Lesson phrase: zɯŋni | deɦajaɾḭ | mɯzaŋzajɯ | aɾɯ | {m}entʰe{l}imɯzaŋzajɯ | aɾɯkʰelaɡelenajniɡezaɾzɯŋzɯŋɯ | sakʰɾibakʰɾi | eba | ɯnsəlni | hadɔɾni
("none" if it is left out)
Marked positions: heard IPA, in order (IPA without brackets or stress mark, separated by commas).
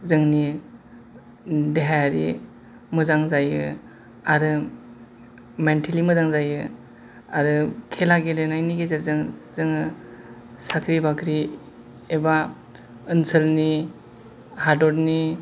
m, l